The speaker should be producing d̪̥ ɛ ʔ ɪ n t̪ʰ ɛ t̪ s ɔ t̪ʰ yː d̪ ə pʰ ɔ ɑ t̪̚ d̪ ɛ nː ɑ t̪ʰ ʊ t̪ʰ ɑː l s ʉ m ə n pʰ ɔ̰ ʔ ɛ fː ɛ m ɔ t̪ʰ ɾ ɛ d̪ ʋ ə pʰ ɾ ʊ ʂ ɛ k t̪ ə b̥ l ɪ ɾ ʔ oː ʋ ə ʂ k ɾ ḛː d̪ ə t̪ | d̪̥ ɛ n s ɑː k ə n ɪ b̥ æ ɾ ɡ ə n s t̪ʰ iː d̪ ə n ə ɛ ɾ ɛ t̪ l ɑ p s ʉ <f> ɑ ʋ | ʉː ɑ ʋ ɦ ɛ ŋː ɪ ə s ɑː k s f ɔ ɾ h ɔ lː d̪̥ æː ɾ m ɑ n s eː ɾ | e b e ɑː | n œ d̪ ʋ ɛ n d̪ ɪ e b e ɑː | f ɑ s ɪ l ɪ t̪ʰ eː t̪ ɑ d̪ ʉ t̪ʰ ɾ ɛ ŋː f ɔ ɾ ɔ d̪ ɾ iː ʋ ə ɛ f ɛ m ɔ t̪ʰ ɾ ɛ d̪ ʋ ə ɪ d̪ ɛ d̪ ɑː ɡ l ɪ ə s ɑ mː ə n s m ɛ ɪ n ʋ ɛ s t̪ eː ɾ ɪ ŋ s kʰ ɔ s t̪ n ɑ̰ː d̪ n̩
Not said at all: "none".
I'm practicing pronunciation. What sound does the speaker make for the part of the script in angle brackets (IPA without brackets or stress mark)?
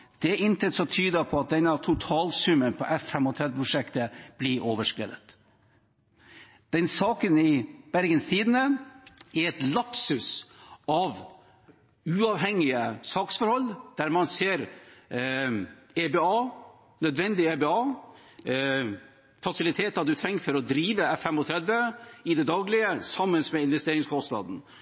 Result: s